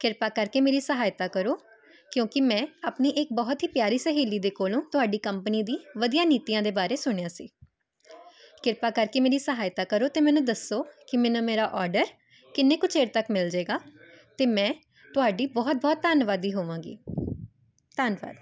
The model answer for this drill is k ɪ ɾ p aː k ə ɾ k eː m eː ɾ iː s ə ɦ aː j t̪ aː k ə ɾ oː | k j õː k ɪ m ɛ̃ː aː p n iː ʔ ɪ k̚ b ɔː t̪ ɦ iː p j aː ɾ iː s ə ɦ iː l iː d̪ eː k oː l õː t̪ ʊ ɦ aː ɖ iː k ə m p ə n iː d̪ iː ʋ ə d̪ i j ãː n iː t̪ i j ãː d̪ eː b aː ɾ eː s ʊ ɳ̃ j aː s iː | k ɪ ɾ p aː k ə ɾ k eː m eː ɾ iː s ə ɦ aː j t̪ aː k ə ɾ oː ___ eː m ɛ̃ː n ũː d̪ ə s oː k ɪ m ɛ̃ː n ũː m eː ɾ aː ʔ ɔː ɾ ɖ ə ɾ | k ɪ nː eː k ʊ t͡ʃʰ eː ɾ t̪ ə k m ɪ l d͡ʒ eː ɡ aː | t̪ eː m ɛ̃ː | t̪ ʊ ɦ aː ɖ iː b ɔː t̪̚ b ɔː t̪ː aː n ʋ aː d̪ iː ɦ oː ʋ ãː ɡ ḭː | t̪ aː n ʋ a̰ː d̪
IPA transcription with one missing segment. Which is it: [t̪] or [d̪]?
t̪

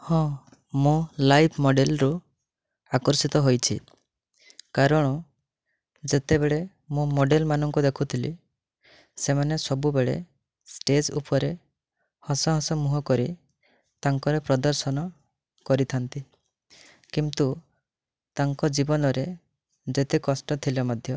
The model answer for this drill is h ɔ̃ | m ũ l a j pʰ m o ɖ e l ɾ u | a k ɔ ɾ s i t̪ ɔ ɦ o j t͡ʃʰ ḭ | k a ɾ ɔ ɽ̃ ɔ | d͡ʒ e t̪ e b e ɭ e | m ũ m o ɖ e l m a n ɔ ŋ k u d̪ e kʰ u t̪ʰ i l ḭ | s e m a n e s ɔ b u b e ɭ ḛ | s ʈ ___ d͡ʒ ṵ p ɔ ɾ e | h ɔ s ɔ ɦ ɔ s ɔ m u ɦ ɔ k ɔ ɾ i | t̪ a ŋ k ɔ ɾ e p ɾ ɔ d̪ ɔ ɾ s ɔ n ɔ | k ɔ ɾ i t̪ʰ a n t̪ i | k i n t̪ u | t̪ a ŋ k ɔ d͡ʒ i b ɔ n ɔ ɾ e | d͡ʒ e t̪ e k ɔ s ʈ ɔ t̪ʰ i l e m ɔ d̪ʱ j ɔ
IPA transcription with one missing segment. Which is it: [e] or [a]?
e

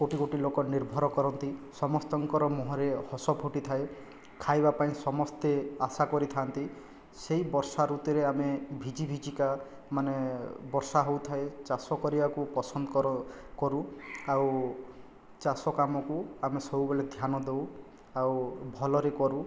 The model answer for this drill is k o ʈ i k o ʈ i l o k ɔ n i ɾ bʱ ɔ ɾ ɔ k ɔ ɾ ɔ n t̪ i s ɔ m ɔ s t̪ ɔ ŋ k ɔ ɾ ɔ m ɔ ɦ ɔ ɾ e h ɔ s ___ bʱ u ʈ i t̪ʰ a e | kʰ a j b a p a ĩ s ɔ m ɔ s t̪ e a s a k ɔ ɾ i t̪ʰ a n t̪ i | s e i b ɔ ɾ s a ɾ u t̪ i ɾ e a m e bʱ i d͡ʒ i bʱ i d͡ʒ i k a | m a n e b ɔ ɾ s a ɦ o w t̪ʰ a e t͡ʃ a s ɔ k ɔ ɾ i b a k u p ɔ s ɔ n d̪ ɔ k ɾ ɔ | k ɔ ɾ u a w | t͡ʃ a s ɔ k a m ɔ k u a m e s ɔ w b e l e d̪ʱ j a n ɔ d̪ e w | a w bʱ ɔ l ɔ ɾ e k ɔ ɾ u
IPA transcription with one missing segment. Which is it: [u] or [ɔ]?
ɔ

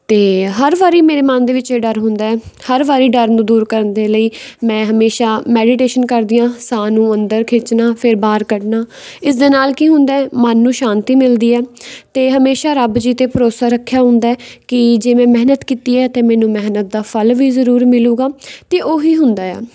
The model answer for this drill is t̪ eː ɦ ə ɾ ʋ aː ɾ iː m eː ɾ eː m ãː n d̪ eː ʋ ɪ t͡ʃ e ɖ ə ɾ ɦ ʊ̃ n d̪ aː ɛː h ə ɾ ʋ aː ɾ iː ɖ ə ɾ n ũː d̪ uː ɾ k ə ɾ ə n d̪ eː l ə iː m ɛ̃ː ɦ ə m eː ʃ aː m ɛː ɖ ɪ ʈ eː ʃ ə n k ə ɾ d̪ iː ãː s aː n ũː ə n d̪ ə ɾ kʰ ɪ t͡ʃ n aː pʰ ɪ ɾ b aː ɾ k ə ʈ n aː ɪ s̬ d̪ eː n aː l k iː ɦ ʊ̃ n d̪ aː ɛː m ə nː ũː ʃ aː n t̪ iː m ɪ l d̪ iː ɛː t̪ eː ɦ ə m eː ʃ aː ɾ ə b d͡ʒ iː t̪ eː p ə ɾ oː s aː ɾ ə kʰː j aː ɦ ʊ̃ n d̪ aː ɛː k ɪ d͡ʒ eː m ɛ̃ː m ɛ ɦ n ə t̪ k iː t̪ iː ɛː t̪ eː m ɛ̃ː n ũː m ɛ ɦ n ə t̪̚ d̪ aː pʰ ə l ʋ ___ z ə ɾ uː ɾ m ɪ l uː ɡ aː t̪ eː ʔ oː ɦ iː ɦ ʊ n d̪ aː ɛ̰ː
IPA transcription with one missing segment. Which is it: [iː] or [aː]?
iː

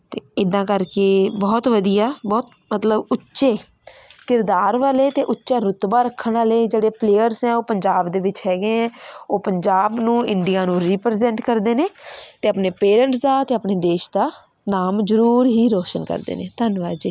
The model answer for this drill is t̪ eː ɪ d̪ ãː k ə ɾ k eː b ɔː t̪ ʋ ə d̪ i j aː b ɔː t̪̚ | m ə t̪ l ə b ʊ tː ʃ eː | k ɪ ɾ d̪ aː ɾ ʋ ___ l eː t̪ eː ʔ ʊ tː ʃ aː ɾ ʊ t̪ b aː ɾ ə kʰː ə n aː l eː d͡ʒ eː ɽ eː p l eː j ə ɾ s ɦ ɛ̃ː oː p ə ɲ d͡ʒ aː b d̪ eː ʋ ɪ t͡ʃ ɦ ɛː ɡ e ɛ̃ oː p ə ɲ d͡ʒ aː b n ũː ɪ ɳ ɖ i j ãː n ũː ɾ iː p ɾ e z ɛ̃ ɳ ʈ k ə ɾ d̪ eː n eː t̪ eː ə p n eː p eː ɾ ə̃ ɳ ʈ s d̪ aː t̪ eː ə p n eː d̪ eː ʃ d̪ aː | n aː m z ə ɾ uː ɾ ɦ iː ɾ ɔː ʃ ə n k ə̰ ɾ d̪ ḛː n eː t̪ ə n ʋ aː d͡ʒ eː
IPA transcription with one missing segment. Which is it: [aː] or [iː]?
aː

